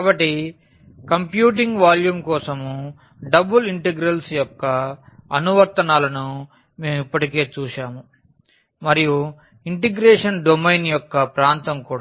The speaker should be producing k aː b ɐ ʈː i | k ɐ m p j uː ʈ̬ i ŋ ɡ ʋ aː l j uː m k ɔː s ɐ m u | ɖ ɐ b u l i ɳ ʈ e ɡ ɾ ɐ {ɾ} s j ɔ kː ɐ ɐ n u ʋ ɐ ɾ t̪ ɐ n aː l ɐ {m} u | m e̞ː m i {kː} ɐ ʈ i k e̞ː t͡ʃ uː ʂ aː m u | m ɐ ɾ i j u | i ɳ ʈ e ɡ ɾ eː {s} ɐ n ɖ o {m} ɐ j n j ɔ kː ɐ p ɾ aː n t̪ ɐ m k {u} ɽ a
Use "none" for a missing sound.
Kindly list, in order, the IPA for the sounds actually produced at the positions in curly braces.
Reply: l, n, pː, ʂ, m, uː

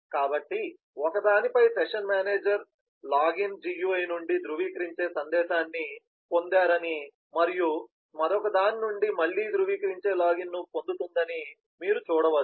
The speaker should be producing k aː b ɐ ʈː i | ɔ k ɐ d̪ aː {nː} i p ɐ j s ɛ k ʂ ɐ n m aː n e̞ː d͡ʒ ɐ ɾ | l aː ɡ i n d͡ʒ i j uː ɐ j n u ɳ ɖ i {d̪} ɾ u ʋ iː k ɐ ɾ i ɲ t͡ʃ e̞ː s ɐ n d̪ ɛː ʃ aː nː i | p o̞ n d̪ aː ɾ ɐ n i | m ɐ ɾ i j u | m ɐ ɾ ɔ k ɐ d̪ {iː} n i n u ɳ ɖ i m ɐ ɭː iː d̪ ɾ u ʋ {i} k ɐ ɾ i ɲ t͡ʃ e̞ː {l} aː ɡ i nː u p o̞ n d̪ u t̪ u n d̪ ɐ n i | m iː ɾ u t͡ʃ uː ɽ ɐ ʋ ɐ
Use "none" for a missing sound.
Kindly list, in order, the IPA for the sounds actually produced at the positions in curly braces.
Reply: n, d̪, aː, iː, l

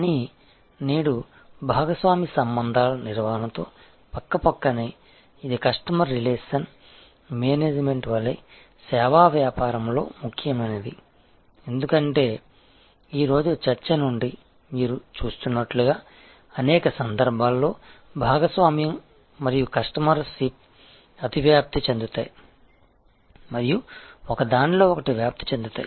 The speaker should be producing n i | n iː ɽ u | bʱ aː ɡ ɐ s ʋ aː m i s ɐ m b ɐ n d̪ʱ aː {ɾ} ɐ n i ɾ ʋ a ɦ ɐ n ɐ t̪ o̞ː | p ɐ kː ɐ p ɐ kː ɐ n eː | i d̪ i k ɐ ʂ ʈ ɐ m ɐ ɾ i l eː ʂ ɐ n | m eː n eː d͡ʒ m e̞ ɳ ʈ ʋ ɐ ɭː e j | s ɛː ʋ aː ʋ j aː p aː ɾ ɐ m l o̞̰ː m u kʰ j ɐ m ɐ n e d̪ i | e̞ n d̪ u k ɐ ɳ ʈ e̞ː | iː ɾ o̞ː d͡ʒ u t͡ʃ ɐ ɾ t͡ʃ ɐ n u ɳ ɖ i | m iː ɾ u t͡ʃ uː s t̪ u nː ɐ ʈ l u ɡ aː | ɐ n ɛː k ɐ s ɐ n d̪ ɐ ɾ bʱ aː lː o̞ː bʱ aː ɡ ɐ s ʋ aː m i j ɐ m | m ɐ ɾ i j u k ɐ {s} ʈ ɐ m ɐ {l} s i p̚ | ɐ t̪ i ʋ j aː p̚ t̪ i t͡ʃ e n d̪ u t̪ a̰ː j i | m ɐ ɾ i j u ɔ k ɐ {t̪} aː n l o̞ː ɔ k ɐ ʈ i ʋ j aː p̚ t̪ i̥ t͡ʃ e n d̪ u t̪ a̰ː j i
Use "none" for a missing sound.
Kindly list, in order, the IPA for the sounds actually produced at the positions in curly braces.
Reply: l, ʂ, ɾ, d̪

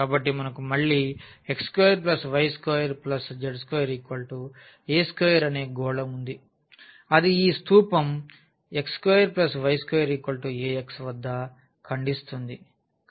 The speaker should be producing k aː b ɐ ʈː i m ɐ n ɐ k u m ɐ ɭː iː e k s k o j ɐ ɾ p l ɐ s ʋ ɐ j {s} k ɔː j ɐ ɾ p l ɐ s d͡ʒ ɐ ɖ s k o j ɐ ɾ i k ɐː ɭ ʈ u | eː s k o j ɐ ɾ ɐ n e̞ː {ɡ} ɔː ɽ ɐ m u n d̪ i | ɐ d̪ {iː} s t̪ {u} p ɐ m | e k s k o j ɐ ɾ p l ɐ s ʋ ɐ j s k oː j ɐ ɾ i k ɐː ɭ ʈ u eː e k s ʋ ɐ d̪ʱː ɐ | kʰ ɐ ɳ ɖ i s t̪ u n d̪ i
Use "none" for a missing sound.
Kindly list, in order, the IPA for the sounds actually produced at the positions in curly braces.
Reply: s, ɡ, iː, uː

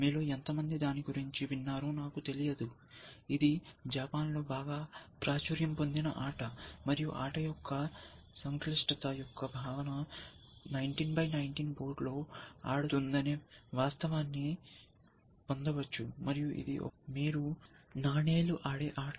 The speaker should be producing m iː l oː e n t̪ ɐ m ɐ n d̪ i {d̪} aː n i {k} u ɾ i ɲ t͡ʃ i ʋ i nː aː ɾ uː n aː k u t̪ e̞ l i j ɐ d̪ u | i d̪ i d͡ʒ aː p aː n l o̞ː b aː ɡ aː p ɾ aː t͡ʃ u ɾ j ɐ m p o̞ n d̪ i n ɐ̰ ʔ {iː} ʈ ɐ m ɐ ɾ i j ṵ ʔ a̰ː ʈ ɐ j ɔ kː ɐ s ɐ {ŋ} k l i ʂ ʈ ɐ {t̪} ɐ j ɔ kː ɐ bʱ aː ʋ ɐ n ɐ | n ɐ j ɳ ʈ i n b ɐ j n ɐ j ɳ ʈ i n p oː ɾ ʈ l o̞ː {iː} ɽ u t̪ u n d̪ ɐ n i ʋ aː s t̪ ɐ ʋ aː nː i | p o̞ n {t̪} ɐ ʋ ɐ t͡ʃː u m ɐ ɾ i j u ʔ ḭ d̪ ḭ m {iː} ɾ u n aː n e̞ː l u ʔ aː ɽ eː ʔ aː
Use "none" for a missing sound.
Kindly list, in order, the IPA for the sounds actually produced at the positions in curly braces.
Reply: d̪, ɡ, aː, ŋ, t̪, aː, d̪, iː

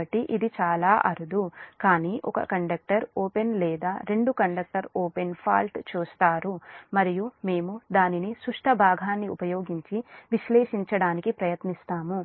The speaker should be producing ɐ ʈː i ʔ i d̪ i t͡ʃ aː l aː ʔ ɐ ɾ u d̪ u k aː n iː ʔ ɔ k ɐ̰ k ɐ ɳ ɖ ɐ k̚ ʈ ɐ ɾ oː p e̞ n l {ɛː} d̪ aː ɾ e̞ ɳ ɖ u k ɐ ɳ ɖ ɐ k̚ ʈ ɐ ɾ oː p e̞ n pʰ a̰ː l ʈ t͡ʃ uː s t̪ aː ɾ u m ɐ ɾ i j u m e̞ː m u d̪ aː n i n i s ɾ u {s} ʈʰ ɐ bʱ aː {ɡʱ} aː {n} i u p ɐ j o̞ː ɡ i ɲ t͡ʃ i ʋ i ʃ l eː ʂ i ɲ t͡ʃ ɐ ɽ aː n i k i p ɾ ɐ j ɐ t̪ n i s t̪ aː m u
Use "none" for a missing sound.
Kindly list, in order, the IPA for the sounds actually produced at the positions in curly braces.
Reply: ɛː, ʂ, ɡʱ, nː

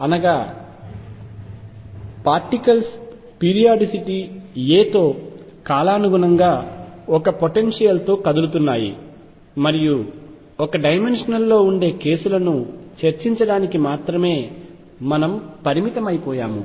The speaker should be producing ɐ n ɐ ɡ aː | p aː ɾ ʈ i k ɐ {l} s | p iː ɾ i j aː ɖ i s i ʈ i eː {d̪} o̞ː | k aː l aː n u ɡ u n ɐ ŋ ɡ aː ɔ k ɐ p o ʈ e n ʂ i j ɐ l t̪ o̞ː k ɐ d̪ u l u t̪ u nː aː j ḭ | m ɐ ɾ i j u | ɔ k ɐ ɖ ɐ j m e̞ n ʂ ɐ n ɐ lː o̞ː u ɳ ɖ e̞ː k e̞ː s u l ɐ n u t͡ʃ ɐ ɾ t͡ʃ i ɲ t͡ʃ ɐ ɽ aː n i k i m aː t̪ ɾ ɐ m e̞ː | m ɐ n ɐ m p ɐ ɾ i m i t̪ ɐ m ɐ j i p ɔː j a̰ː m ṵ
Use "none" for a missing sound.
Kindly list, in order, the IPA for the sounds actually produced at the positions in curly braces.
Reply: l, t̪

